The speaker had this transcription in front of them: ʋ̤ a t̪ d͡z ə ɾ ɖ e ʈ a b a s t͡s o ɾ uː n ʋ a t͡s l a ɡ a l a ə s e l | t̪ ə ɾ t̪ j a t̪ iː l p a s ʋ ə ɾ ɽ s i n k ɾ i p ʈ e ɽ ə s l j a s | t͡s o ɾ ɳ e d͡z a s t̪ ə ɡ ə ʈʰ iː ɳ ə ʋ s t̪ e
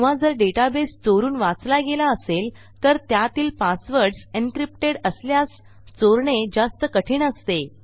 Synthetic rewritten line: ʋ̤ a d͡z ə ɾ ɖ e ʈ a b e s t͡s o ɾ uː n ʋ a t͡s l a ɡ e l a ə s e l | t̪ ə ɾ t̪ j a t̪ iː l p a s ʋ ə ɾ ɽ s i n k ɾ i p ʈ e ɽ ə s l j a s | t͡s o ɾ ɳ e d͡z a s t̪ ə k ə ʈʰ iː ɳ ə s t̪ e